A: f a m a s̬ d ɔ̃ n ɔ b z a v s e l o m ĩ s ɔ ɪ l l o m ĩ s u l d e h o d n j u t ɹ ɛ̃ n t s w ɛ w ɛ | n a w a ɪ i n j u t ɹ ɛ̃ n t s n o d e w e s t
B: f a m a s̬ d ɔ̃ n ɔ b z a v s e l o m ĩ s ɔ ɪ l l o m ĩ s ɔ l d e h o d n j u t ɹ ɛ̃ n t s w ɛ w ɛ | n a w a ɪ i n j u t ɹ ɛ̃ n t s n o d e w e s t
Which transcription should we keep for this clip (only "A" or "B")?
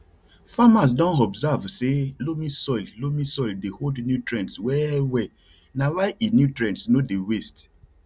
B